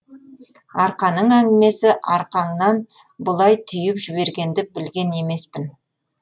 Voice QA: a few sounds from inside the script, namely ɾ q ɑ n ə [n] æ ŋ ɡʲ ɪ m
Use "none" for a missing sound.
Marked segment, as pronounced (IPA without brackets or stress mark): ɴ